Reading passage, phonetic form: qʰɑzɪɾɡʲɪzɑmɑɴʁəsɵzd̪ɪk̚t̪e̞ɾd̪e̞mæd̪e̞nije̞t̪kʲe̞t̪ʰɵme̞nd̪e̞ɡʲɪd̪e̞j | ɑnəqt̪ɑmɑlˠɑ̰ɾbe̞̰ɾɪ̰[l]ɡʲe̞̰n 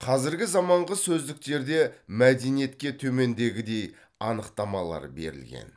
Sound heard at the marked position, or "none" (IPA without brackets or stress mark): l